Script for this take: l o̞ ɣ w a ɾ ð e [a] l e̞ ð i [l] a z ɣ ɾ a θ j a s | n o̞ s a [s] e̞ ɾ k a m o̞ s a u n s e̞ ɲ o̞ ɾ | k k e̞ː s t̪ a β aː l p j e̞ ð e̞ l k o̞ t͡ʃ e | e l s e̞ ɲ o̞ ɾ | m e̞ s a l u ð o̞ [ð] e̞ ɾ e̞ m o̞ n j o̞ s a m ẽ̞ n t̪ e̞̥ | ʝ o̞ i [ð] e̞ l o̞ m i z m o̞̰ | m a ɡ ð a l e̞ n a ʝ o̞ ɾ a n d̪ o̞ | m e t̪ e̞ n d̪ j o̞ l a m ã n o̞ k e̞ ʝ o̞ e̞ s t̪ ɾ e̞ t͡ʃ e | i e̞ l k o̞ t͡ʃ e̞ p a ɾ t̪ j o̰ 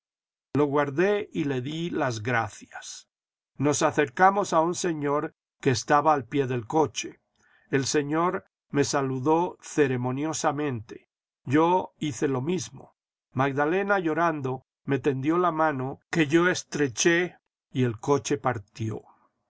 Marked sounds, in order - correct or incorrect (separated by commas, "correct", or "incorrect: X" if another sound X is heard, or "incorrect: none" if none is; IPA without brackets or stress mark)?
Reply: incorrect: i, correct, incorrect: θ, incorrect: θ, incorrect: θ